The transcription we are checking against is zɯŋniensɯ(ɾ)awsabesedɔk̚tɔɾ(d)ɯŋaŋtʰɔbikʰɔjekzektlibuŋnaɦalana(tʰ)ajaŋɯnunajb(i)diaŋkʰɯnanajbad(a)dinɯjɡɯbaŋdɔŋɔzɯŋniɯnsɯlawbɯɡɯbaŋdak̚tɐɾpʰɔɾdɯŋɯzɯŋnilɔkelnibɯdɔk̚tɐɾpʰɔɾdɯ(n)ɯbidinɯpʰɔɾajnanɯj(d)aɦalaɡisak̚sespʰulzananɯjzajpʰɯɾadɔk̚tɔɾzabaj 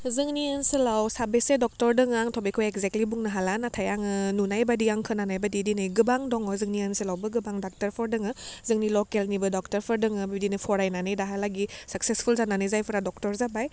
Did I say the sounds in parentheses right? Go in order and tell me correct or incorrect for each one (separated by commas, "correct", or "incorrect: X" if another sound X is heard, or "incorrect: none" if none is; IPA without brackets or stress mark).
incorrect: l, correct, correct, incorrect: a, incorrect: i, incorrect: ŋ, correct